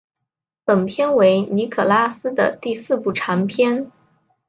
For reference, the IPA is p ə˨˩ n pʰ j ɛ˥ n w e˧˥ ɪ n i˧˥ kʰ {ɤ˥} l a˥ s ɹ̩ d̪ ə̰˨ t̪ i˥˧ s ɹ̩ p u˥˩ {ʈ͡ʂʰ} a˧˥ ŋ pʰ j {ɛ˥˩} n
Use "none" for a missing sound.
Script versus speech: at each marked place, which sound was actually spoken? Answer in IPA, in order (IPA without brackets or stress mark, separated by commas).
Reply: ɤ˨˩, ʈ͡ʂʰ, ɛ˥